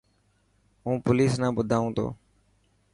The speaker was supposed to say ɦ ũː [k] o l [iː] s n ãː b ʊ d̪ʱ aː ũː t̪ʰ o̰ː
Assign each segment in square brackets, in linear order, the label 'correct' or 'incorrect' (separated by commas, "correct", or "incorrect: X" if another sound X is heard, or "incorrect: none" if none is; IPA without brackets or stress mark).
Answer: incorrect: p, correct